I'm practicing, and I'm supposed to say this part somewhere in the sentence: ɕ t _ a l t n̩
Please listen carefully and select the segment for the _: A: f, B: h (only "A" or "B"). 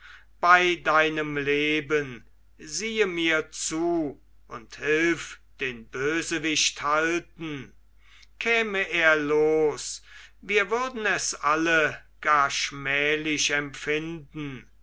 B